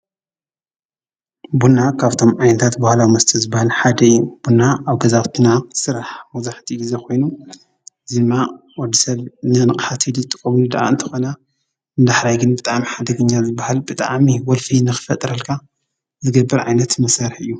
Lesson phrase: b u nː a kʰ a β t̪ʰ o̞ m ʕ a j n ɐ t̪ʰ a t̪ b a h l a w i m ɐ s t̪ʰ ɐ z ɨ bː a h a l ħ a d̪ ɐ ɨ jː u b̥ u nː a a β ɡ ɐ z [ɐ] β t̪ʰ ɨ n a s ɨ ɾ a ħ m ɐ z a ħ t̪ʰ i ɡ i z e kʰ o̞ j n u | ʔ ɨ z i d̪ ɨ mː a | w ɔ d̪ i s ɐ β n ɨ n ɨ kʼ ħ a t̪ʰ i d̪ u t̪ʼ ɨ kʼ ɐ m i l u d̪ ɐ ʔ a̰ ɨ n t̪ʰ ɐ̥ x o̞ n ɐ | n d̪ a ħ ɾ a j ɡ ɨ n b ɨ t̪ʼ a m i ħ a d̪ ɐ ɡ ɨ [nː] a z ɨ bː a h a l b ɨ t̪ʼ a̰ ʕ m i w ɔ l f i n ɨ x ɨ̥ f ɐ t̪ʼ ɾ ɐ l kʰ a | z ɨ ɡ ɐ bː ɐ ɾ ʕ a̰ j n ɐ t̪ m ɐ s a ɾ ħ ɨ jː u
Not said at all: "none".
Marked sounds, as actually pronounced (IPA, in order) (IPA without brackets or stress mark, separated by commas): a, ɲː